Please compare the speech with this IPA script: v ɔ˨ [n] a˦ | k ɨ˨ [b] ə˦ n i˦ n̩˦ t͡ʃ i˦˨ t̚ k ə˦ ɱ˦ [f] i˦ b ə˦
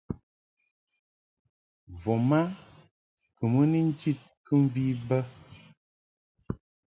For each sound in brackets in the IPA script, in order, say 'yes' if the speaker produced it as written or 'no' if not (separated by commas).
no, no, no